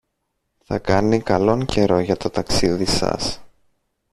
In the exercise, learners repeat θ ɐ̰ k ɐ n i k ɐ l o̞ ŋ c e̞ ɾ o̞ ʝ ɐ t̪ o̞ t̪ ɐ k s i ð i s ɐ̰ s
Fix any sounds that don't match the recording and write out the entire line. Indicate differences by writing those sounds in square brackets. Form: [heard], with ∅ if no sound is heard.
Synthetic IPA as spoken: θ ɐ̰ k ɐ n i k ɐ l o̞ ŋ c e̞ ɾ o̞ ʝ ɐ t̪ o̞ t̪ ɐ k s i ð i s ɐ̰ s

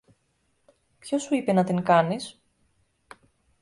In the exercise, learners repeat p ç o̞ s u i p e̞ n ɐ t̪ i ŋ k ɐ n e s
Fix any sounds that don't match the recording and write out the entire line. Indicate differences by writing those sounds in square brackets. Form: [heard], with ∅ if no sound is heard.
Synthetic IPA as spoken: p ç o̞ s u i p e̞ n ɐ t̪ i ŋ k ɐ n [i] s

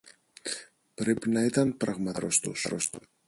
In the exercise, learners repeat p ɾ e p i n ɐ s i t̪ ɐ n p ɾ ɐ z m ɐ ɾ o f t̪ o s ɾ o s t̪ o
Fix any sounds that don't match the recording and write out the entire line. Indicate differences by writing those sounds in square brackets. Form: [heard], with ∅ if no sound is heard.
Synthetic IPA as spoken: p ɾ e p i n ɐ [∅] i t̪ ɐ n p ɾ ɐ [ɣ] m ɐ ɾ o [s] t̪ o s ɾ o s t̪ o

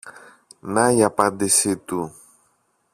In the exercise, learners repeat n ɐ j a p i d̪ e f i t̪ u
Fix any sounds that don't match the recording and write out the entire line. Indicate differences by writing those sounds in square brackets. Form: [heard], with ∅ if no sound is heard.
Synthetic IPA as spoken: n [a] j a p [a] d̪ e [s] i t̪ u

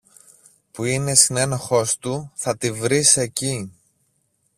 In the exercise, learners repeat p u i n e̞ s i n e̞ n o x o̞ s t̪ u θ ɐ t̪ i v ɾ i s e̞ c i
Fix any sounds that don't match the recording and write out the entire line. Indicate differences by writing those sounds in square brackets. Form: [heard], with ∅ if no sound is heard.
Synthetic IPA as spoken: p u i n e̞ s i n e̞ n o x o̞ s t̪ u θ ɐ t̪ i v ɾ i s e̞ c i

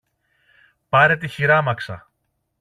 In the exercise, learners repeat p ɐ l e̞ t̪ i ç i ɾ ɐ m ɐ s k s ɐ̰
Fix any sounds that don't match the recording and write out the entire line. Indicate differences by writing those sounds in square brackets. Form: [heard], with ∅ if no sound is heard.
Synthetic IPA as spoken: p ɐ [ɾ] e̞ t̪ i ç i ɾ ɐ m ɐ [∅] k s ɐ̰

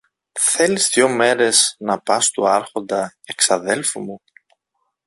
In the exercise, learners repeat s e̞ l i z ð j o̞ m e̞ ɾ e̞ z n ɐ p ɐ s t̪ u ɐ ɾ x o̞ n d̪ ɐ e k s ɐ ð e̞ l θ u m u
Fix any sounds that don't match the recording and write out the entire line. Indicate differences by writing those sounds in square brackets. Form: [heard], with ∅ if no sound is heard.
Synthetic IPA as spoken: [θ] e̞ l i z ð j o̞ m e̞ ɾ e̞ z n ɐ p ɐ s t̪ u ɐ ɾ x o̞ n d̪ ɐ e k s ɐ ð e̞ l [f] u m u

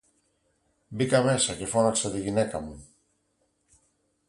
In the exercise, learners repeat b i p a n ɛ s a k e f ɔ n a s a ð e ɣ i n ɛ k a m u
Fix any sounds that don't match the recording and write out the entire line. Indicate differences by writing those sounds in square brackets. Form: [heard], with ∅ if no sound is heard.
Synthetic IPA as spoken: b i [k] a [m] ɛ s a k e f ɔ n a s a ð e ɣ i n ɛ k a m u

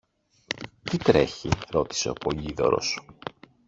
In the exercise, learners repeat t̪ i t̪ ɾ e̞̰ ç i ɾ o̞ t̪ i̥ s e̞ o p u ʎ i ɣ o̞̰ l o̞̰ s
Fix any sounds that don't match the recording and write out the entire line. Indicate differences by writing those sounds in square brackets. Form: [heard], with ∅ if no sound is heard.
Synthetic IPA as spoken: t̪ i t̪ ɾ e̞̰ ç i ɾ o̞ t̪ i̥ s e̞ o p [o] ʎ i [ð] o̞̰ [ɾ] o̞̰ s

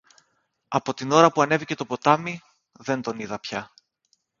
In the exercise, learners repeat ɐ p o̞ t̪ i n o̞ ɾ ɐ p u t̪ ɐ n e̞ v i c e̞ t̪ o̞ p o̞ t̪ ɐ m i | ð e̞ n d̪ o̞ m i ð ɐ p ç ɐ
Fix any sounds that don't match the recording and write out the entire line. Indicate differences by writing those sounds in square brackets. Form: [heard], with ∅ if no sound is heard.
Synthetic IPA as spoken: ɐ p o̞ t̪ i n o̞ ɾ ɐ p u [∅] ɐ n e̞ v i c e̞ t̪ o̞ p o̞ t̪ ɐ m i | ð e̞ n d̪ o̞ [n] i ð ɐ p ç ɐ

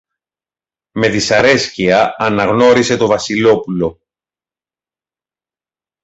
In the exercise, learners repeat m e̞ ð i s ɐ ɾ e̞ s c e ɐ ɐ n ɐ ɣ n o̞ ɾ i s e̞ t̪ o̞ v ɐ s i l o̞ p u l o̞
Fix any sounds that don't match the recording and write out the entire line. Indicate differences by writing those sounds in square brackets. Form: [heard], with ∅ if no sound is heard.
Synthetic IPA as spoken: m e̞ ð i s ɐ ɾ e̞ s c [i] ɐ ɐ n ɐ ɣ n o̞ ɾ i s e̞ t̪ o̞ v ɐ s i l o̞ p u l o̞

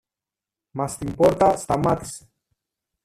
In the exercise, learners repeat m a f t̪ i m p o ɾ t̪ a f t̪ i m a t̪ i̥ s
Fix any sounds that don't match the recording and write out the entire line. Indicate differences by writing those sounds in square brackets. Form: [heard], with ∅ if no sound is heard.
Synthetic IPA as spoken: m a [s] t̪ i m p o ɾ t̪ a [s] t̪ [a] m a t̪ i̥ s

